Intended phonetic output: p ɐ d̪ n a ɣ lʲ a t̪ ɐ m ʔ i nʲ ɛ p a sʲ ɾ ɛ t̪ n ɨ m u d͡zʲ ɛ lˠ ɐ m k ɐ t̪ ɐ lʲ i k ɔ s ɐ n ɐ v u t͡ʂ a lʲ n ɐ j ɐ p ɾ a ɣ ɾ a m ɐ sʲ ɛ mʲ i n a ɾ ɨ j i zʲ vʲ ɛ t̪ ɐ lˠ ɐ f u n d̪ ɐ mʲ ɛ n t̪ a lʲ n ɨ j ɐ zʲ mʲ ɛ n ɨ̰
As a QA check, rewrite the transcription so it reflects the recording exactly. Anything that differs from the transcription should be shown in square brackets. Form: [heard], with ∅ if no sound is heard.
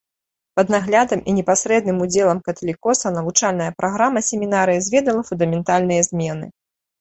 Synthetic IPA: p ɐ d̪ n a ɣ lʲ a [d̪] ɐ m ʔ i nʲ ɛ p a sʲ ɾ ɛ [d̪] n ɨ m u d͡zʲ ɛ lˠ ɐ m k ɐ t̪ ɐ lʲ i k ɔ s ɐ n ɐ v u t͡ʂ a lʲ n ɐ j ɐ p ɾ a ɣ ɾ a m ɐ sʲ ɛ mʲ i n a ɾ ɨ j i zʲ vʲ ɛ [d̪] ɐ lˠ ɐ f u n d̪ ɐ mʲ ɛ n t̪ a lʲ n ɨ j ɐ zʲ mʲ ɛ n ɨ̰